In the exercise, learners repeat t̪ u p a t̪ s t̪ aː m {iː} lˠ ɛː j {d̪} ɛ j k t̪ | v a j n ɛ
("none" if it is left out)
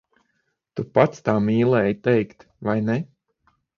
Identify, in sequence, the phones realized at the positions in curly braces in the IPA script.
iː, t̪

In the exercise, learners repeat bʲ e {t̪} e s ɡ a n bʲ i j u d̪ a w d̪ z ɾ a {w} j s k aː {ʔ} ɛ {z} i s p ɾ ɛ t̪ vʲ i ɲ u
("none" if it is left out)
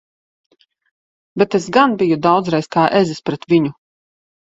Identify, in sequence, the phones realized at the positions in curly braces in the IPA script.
t̪, none, ʔ, z

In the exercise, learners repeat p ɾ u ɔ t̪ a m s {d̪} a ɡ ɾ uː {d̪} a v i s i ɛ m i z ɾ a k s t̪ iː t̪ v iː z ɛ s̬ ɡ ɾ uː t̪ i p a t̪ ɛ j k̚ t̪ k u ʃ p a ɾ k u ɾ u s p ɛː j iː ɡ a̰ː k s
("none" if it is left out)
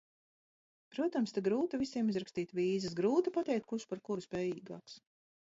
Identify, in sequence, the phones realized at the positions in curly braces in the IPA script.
t̪, t̪

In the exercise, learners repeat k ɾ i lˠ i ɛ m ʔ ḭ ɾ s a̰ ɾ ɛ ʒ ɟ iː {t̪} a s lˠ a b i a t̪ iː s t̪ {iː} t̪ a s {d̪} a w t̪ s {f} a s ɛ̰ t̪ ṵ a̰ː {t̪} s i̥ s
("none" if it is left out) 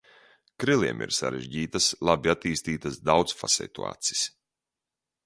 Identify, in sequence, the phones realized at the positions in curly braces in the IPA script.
t̪, iː, d̪, f, t̪

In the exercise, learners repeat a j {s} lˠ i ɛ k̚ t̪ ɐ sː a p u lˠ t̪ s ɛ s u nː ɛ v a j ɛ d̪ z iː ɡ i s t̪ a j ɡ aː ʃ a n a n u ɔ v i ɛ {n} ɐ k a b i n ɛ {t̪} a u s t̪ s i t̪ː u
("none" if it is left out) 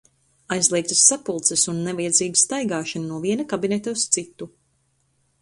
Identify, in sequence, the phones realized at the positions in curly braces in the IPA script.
z, n, t̪

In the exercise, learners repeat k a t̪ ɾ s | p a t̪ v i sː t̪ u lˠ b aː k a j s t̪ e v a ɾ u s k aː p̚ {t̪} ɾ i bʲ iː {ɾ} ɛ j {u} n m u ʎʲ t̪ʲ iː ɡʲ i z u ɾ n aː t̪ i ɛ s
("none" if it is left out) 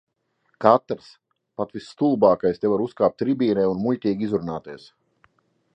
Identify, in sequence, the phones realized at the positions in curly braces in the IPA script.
t̪, ɾ, u

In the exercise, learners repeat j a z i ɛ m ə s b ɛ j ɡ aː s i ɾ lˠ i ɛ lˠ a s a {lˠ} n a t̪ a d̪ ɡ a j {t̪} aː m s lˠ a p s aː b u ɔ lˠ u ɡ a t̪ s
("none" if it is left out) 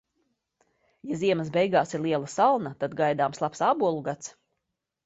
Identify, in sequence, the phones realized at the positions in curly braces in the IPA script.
lˠ, d̪

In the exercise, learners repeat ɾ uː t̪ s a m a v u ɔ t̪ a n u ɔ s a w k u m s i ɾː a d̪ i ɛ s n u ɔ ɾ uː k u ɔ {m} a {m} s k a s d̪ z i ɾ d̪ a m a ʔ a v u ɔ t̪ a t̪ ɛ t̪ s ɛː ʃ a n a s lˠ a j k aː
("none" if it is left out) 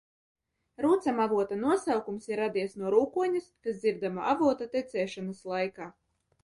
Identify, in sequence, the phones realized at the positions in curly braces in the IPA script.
ɲ, none

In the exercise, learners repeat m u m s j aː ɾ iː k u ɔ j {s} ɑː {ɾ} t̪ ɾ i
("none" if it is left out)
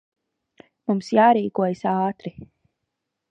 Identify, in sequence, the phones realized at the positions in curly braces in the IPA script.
s, none

